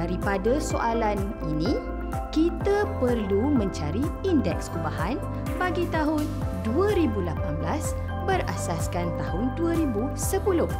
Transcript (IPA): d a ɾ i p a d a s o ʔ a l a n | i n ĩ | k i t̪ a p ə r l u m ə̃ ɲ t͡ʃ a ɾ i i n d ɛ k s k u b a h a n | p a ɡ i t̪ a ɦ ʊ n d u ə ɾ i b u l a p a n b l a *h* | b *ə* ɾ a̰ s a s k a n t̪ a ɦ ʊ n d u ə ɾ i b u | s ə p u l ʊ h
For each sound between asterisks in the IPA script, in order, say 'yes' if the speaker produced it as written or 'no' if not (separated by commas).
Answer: no, yes